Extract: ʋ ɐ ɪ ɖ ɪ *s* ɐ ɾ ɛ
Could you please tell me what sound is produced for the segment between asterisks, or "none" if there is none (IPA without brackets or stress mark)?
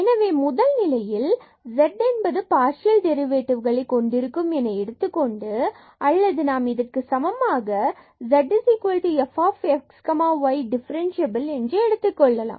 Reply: f